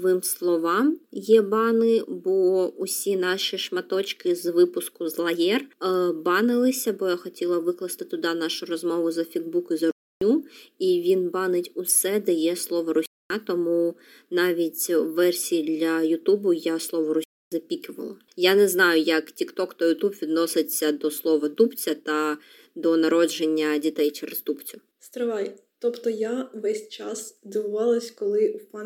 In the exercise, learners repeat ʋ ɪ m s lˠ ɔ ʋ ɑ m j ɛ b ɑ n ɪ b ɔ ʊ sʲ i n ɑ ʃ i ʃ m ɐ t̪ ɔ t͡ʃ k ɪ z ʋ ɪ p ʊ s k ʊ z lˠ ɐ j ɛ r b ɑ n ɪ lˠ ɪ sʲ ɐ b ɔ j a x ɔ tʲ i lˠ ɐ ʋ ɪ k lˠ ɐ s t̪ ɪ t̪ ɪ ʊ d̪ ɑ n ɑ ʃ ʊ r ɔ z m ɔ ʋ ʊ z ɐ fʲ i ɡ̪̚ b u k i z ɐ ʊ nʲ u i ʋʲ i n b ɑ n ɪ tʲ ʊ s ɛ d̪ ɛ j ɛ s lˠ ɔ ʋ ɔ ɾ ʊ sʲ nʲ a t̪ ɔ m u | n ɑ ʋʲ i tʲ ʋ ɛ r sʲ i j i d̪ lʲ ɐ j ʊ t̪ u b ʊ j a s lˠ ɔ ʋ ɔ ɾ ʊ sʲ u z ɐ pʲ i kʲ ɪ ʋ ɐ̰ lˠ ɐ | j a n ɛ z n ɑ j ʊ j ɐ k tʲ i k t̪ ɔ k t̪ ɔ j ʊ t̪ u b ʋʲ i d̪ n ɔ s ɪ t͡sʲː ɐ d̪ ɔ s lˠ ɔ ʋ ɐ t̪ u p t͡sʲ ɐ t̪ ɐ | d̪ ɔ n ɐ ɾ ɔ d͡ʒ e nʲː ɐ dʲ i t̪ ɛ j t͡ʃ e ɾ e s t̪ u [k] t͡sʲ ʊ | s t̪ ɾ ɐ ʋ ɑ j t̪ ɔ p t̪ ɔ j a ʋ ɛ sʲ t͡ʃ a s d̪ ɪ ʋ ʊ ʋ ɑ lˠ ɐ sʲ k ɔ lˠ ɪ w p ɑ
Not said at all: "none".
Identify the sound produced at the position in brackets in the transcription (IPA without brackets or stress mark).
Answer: p